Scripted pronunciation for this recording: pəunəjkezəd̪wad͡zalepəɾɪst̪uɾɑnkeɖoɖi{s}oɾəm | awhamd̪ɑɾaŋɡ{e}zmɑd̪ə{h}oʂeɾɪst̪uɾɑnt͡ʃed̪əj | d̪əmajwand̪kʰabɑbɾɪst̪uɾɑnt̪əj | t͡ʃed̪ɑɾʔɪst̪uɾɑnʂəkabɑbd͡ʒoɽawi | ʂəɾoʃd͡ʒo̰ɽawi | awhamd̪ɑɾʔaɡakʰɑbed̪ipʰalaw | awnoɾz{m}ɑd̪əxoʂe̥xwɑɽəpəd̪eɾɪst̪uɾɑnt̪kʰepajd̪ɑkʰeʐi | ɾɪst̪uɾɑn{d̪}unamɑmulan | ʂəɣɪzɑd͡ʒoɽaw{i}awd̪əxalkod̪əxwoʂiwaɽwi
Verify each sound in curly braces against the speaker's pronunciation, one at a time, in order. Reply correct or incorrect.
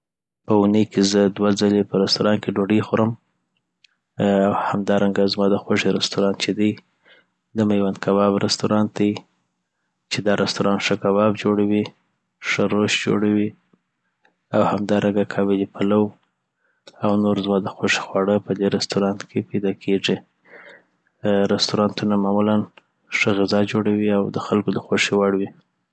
incorrect, incorrect, incorrect, correct, incorrect, correct

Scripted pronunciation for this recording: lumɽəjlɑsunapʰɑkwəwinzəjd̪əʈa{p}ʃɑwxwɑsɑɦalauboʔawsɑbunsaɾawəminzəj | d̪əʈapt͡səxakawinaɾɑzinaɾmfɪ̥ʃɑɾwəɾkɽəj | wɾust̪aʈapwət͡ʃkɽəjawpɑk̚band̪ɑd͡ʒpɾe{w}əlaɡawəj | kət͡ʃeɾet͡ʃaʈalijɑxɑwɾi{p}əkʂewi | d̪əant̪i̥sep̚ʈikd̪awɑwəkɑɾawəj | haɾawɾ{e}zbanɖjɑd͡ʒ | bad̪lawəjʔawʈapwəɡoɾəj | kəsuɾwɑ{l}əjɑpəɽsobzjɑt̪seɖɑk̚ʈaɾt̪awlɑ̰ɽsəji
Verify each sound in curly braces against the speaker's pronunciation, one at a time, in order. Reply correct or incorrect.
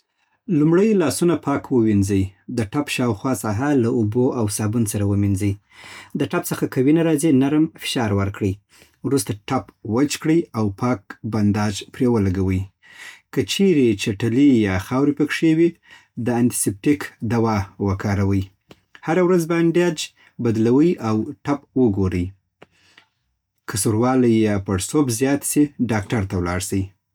correct, correct, correct, incorrect, correct

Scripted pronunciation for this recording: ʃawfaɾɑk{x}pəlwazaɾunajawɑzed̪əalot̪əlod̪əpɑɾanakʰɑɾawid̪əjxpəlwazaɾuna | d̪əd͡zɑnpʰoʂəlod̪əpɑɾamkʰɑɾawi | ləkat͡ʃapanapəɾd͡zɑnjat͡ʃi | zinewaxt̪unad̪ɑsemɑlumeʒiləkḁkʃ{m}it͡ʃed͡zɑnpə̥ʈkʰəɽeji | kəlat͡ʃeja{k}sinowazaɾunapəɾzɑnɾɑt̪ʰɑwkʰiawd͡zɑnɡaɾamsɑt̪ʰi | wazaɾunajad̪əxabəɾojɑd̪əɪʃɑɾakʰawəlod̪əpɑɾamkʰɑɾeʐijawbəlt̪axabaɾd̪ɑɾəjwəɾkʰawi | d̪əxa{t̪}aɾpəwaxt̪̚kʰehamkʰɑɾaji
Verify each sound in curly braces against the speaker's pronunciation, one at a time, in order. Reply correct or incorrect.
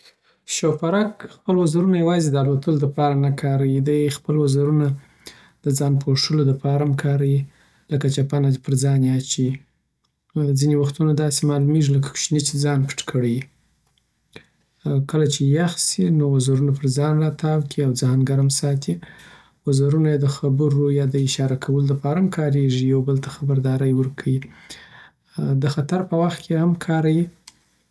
correct, incorrect, incorrect, correct

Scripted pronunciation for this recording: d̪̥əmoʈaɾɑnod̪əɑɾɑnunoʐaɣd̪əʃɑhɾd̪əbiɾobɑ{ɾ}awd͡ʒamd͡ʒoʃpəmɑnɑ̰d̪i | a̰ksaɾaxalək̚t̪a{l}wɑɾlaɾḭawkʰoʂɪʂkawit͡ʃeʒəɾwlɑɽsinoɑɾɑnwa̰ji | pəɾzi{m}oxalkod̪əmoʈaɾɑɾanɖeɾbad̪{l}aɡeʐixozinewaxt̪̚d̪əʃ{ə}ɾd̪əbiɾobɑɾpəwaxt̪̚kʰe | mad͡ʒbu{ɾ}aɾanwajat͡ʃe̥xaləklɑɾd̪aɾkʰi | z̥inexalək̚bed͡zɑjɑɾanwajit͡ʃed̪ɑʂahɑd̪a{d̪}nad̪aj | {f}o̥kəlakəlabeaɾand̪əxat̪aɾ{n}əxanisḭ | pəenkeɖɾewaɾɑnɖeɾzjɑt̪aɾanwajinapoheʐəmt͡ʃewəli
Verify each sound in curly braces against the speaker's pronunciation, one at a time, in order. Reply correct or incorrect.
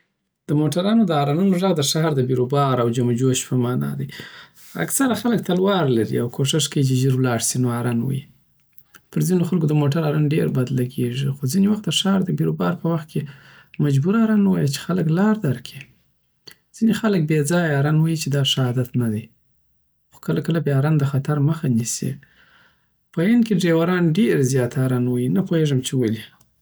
correct, correct, incorrect, correct, incorrect, correct, incorrect, incorrect, incorrect

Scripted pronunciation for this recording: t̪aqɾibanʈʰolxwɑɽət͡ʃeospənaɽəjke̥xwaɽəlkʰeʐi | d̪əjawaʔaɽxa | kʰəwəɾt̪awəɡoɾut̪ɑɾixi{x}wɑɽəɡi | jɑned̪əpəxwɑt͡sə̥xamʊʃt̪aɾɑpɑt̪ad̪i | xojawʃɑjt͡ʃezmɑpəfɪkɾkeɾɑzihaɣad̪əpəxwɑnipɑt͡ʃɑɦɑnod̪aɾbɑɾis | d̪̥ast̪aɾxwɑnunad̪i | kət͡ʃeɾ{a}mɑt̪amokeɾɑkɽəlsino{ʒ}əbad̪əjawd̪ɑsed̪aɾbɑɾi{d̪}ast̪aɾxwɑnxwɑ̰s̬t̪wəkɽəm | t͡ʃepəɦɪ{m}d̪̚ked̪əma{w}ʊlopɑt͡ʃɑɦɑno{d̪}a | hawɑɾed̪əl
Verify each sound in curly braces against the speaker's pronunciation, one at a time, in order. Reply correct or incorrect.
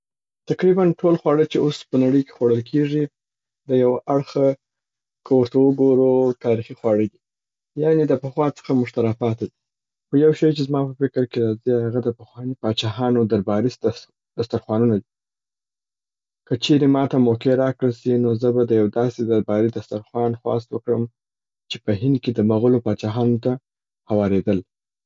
correct, incorrect, incorrect, correct, incorrect, incorrect, incorrect

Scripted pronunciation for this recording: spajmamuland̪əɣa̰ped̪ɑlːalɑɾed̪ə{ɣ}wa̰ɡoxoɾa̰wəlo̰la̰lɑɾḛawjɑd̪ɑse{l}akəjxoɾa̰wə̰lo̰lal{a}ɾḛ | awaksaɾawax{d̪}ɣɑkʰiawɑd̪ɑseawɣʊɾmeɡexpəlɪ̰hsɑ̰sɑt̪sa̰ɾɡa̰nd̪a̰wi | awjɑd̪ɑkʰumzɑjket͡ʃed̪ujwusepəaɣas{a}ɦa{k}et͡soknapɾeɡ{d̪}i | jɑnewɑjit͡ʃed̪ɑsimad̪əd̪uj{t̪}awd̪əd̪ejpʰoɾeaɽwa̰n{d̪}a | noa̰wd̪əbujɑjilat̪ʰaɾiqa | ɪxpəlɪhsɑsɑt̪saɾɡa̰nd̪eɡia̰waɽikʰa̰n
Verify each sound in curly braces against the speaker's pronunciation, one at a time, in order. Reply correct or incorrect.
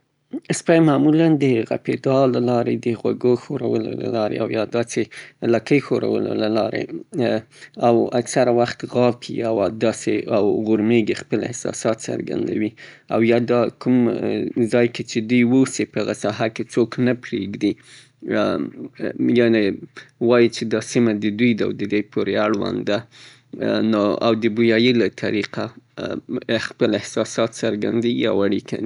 correct, correct, incorrect, incorrect, incorrect, correct, correct, incorrect, correct

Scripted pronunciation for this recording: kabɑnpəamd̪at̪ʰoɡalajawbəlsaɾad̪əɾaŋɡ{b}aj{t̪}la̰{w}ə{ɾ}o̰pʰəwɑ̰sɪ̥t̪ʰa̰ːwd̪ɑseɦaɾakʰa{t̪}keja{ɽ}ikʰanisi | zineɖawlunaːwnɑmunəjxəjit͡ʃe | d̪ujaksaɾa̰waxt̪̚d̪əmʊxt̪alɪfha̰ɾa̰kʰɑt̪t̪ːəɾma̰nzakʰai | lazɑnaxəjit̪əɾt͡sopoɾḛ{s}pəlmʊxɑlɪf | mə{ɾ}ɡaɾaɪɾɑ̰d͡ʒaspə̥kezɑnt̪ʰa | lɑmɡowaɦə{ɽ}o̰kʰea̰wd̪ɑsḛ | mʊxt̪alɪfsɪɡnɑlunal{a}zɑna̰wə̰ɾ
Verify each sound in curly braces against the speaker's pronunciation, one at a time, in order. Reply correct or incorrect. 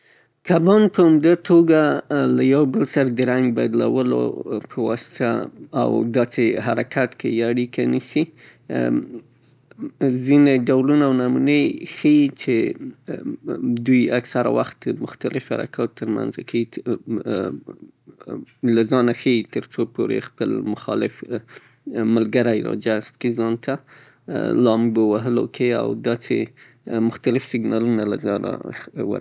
correct, incorrect, correct, incorrect, correct, correct, incorrect, incorrect, incorrect, correct

